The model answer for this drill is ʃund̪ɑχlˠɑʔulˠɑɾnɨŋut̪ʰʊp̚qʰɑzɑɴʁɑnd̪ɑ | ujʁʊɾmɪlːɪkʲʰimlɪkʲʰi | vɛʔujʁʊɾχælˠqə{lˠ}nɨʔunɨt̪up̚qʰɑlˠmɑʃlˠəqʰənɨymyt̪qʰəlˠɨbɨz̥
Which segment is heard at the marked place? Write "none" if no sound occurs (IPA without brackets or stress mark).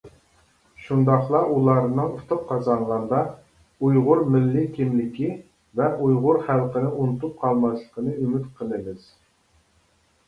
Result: none